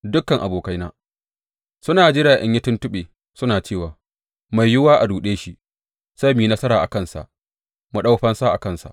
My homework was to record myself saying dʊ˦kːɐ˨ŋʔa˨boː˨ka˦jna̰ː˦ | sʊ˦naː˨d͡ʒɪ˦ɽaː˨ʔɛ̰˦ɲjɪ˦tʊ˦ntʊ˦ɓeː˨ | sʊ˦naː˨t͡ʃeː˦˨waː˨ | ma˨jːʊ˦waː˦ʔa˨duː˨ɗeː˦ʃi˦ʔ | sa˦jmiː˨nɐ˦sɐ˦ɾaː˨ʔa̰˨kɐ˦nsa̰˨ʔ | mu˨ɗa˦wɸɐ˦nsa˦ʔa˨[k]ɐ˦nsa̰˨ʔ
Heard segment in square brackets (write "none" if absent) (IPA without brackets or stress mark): k